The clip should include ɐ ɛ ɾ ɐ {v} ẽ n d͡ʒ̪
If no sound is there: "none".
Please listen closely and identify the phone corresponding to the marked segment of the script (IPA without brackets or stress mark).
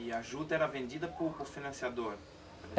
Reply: v